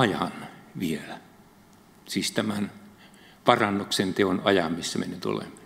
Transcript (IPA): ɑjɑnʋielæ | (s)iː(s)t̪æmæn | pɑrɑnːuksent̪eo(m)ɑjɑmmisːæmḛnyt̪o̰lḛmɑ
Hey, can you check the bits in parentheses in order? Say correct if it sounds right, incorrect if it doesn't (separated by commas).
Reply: correct, correct, incorrect